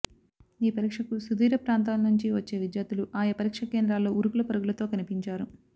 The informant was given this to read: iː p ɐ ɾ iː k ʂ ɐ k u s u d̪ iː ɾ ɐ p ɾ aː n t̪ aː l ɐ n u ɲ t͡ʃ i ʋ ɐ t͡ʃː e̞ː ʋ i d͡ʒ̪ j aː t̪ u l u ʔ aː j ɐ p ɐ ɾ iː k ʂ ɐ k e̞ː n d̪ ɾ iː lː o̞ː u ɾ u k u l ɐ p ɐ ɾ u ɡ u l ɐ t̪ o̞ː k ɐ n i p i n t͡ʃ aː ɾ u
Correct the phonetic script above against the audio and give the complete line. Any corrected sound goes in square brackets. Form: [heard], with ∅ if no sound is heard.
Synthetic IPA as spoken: iː p ɐ ɾ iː k ʂ ɐ k u s u d̪ iː ɾ ɐ p ɾ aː n t̪ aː l ɐ n u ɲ t͡ʃ i ʋ ɐ t͡ʃː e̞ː ʋ i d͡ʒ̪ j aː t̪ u l u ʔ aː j ɐ p ɐ ɾ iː k ʂ ɐ k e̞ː n d̪ ɾ [aː] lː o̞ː u ɾ u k u l ɐ p ɐ ɾ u ɡ u l ɐ t̪ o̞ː k ɐ n i p i [ɲ] t͡ʃ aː ɾ u